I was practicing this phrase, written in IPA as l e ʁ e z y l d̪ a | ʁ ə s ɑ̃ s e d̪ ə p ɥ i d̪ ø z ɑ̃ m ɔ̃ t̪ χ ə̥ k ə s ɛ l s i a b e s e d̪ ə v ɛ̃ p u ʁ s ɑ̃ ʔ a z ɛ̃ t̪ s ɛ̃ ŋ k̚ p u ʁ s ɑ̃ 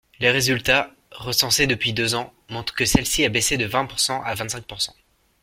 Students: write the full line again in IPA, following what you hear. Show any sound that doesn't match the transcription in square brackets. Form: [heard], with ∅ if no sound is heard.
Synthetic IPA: l e ʁ e z y l [t̪] a | ʁ ə s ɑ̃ s e d̪ ə p ɥ i d̪ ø z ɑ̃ m ɔ̃ t̪ χ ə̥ k ə s ɛ l s i a b e s e d̪ ə v ɛ̃ p u ʁ s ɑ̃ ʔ a [v] ɛ̃ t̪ s ɛ̃ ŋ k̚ p u ʁ s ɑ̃